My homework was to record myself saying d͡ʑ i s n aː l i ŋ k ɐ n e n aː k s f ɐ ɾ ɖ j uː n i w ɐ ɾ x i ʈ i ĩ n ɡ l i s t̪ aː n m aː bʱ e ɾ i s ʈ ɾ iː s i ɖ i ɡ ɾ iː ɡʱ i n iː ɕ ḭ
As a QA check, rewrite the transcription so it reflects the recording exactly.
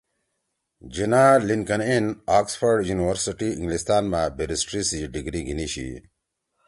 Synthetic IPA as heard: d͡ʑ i n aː l i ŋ k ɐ n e n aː k s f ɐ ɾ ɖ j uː n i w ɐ ɾ s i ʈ i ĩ ŋ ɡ l i s t̪ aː n m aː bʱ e ɾ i s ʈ ɾ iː s i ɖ i ɡ ɾ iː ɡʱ i n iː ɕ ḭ